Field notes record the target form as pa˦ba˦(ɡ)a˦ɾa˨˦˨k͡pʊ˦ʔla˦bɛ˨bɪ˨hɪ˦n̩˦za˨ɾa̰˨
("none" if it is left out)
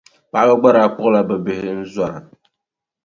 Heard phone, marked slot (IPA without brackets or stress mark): ɡ͡b